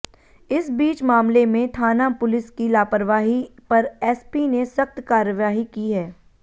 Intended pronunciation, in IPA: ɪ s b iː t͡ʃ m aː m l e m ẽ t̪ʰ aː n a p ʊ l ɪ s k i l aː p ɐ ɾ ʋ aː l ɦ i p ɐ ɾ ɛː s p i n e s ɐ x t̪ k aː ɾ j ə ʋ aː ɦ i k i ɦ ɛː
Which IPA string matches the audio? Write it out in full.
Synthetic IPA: ɪ s b iː t͡ʃ m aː m l e m ẽ t̪ʰ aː n a p ʊ l ɪ s k i l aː p ə ɾ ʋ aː ɦ i p ɐ ɾ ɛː s p i n e s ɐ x t̪ k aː ɾ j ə ʋ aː ɦ i k i ɦ ɛː